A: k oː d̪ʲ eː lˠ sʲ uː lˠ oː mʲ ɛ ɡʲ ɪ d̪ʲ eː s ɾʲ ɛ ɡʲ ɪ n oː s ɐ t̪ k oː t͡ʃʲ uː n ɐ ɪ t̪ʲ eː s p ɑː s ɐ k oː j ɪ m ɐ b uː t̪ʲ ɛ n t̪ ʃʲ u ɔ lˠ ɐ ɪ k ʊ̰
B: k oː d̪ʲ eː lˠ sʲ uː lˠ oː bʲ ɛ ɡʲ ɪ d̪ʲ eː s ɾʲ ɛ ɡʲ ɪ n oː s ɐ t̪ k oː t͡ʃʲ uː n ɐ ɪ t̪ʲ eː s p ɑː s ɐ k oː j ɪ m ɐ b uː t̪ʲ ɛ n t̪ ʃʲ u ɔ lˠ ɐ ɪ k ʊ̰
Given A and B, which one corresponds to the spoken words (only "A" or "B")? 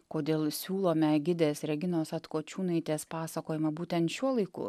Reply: A